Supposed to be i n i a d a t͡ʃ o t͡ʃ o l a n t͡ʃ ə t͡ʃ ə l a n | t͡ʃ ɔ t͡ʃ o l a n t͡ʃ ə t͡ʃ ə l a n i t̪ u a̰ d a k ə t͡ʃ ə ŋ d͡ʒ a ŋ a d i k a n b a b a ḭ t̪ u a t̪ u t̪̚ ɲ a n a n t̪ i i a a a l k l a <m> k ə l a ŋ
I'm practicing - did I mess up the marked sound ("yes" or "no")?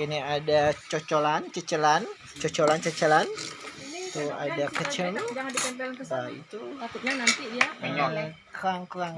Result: yes